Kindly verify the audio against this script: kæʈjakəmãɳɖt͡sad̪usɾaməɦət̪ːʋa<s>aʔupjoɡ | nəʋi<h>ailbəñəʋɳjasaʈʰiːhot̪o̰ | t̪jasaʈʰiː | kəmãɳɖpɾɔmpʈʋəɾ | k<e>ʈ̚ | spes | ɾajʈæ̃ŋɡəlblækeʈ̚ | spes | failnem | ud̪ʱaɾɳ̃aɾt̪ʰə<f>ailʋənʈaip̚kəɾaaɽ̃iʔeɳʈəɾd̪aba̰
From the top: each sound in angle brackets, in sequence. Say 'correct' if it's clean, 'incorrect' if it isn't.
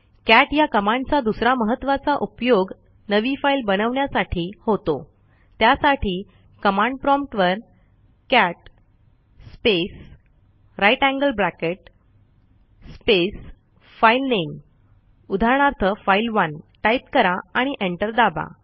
incorrect: t͡s, incorrect: f, incorrect: æ, correct

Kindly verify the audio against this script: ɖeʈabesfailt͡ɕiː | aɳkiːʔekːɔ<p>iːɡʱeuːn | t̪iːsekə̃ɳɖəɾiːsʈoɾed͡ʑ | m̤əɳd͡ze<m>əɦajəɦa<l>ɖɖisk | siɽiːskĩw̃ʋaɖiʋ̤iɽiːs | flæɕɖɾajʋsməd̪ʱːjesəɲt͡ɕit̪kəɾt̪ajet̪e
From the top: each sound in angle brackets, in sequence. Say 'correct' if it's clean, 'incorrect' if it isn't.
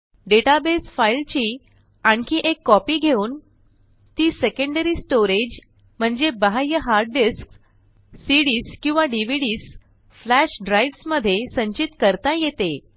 correct, incorrect: b, incorrect: ɾ

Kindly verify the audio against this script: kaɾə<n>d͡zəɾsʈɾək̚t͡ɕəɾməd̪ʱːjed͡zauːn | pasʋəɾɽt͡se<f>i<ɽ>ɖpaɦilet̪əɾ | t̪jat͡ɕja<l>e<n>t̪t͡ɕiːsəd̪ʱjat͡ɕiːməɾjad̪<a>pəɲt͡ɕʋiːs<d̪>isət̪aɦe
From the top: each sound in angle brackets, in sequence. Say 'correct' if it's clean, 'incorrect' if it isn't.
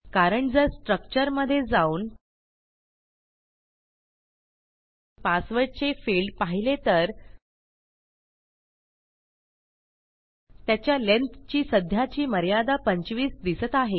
incorrect: ɳ, correct, incorrect: ɭ, correct, correct, correct, correct

